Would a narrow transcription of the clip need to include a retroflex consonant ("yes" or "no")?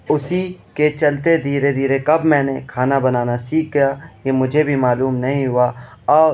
no